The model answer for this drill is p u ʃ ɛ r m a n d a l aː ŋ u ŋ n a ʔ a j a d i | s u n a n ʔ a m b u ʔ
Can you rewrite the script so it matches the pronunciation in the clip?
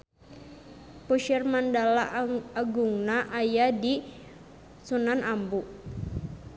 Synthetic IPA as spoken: p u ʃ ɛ r m a n d a l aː ɡ u ŋ n a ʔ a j a d i | s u n a n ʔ a m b u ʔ